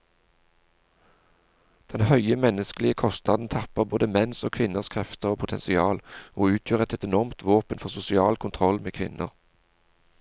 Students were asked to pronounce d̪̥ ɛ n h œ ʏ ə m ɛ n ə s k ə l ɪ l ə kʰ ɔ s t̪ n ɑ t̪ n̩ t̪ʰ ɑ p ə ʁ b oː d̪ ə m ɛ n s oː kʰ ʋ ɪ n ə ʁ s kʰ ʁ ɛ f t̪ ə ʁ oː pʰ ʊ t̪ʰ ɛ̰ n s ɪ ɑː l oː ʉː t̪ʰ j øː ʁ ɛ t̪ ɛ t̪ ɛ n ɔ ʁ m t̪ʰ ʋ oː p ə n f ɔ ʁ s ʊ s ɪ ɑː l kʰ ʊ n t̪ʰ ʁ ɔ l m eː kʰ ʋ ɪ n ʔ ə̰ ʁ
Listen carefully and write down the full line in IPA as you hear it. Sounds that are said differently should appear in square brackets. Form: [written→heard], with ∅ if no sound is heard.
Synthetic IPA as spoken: d̪̥ ɛ n h œ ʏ ə m ɛ n ə s k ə l ɪ [l→∅] ə kʰ ɔ s t̪ n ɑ [t̪→d̪] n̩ t̪ʰ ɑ p ə ʁ b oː d̪ ə m ɛ n s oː kʰ ʋ ɪ n ə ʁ s kʰ ʁ ɛ f t̪ ə ʁ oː pʰ ʊ t̪ʰ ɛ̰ n s ɪ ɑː l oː ʉː t̪ʰ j øː ʁ ɛ t̪ ɛ t̪ ɛ n ɔ ʁ m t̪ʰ ʋ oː p ə n f ɔ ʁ s ʊ s ɪ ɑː l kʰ ʊ n t̪ʰ ʁ ɔ l m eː kʰ ʋ ɪ n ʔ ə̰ ʁ